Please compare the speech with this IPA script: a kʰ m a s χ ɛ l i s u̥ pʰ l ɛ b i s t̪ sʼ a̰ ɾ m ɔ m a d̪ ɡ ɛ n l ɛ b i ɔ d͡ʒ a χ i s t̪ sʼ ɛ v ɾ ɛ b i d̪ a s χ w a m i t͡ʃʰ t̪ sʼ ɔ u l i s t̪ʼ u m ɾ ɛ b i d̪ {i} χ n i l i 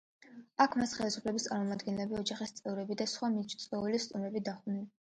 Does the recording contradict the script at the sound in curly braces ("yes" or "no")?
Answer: yes